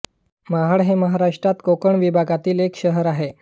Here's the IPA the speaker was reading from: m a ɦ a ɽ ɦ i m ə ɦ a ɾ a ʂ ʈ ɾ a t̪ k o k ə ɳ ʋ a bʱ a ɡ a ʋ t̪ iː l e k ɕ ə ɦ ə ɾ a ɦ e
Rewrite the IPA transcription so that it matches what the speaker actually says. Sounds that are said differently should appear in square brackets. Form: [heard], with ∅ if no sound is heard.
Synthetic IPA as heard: m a ɦ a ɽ ɦ [e] m ə ɦ a ɾ a ʂ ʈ ɾ a t̪ k o k ə ɳ ʋ [i] bʱ a ɡ a [∅] t̪ iː l e k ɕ ə ɦ ə ɾ a ɦ e